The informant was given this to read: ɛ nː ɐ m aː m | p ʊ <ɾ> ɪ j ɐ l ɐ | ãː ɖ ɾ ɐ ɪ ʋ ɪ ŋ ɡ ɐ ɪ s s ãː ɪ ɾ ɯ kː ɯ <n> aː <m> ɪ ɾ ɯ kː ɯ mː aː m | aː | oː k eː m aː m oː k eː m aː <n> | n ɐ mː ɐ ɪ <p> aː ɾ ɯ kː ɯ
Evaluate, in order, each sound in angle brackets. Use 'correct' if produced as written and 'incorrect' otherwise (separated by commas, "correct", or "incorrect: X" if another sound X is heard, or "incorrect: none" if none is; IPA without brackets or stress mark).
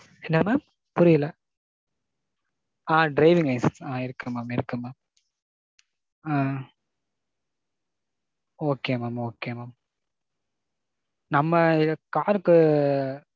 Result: correct, incorrect: m, correct, incorrect: m, incorrect: k